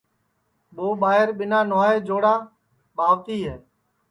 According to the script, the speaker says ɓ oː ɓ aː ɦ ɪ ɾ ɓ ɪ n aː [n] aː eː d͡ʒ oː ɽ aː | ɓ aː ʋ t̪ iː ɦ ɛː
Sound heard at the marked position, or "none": n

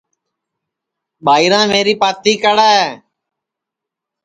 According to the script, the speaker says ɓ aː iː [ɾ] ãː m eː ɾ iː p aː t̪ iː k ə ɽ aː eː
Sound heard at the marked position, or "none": ɾ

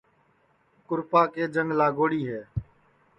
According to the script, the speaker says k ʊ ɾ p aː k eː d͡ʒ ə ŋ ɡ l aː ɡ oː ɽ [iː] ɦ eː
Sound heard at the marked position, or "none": iː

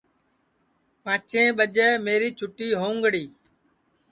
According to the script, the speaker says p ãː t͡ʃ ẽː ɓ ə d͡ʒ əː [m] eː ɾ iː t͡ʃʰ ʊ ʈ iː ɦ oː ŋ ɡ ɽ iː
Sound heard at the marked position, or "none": m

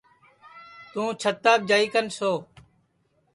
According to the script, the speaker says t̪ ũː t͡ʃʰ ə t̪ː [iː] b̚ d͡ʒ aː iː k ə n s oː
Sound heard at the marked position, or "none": aː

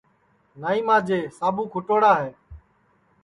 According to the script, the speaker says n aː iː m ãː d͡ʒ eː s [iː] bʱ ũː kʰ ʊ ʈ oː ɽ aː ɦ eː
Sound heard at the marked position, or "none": aː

